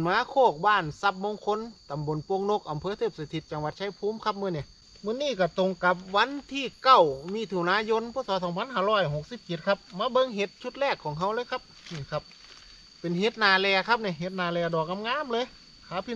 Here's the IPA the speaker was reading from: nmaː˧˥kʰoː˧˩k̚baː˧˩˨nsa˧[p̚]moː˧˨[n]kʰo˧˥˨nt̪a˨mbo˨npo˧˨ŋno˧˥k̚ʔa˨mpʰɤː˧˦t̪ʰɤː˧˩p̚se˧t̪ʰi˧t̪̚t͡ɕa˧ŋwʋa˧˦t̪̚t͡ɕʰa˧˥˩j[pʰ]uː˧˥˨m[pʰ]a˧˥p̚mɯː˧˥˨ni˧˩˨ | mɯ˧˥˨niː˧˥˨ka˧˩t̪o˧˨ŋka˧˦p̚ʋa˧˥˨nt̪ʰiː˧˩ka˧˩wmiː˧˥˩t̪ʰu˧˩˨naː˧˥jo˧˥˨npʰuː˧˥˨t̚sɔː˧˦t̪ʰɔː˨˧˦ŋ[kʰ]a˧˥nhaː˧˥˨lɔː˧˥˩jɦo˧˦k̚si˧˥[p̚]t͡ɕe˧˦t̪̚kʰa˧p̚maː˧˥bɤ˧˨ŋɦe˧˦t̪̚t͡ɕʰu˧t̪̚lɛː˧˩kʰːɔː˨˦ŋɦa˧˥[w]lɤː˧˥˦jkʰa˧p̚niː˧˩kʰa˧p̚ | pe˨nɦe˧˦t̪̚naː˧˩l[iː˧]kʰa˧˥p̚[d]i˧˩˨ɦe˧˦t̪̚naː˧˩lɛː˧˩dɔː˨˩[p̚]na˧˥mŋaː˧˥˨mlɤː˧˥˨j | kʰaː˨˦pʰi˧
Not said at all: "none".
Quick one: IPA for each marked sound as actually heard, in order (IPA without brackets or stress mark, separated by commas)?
p̚, ŋ, pʰ, kʰ, pʰ, p̚, w, ɛː˧, n, k̚